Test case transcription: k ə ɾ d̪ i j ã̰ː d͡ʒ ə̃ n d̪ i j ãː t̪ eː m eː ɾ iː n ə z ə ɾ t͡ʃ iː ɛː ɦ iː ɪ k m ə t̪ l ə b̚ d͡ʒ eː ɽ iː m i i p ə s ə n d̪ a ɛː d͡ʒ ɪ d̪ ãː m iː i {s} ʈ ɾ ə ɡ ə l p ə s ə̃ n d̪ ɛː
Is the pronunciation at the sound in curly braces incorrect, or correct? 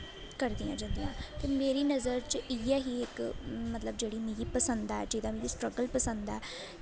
correct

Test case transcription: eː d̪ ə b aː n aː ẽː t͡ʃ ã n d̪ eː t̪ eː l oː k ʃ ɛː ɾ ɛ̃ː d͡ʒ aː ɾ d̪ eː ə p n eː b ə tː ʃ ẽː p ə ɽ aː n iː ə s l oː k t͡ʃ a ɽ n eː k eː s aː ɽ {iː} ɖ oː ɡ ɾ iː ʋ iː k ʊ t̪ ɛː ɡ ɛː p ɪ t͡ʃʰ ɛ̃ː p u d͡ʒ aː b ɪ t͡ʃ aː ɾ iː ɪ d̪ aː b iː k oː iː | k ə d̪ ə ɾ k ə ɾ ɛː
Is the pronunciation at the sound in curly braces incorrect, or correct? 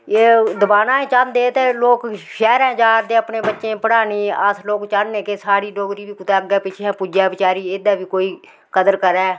correct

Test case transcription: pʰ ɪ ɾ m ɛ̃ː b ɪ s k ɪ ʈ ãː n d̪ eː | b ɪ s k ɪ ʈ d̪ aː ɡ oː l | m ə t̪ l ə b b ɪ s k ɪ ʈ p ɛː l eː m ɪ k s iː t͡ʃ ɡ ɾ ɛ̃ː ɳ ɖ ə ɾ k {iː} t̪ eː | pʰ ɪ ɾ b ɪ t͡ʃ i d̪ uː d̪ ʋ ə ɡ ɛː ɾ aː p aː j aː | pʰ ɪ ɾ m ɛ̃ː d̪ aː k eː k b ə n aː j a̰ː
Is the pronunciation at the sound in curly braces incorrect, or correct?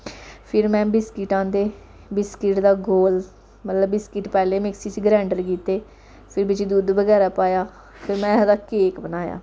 correct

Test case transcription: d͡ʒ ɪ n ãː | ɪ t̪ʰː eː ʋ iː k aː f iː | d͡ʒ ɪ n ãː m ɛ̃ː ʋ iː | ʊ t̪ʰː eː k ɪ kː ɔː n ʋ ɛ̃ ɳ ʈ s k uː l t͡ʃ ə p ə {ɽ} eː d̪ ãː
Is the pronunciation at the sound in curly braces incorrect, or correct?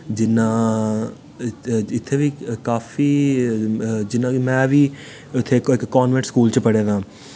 correct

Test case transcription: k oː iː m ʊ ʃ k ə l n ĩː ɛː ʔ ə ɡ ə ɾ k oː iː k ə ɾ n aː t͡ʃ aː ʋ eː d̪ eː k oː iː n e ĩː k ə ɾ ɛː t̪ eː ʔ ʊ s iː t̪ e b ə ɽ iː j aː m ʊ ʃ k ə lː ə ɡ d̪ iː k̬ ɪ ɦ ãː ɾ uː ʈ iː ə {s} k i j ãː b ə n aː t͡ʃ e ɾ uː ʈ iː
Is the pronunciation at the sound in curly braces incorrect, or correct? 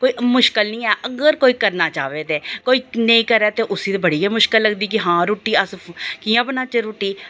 correct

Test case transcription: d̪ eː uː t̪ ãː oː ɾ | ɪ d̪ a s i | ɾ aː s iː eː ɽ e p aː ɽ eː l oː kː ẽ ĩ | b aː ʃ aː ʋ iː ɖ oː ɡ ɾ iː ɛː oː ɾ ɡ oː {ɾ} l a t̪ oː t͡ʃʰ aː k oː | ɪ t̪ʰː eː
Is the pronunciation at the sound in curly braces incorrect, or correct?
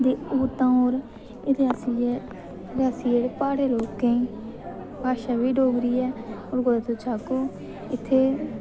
incorrect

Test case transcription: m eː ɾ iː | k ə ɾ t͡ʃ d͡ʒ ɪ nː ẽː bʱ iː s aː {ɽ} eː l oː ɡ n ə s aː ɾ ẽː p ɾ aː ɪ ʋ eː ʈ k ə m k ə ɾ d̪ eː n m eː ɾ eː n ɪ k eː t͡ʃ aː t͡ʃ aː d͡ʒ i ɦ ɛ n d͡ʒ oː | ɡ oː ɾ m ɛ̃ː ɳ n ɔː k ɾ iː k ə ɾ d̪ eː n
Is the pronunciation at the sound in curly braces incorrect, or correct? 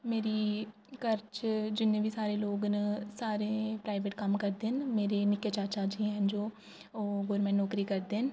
incorrect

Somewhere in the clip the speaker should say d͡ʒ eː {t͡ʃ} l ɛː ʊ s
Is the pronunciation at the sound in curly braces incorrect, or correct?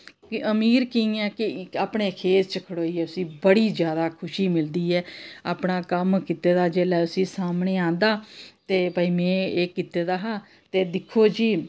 incorrect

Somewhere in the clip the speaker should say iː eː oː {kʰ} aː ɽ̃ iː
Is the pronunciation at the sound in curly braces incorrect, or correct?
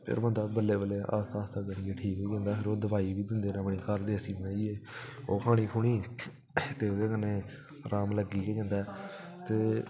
correct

